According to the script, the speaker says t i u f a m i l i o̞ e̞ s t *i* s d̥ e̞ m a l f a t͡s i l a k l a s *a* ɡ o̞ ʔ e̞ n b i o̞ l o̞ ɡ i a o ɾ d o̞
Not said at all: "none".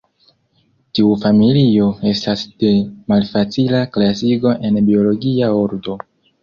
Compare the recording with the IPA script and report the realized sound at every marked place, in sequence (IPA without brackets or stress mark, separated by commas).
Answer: a, i